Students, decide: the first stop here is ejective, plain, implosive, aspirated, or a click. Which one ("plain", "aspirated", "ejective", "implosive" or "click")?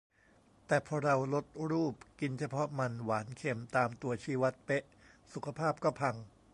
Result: plain